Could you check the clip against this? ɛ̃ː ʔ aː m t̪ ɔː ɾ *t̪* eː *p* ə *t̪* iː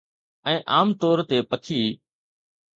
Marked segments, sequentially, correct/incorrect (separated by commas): correct, correct, incorrect